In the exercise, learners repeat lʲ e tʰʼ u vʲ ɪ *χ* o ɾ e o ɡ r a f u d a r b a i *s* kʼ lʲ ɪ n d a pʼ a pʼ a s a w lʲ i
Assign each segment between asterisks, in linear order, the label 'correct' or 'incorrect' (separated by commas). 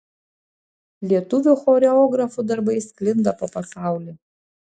correct, correct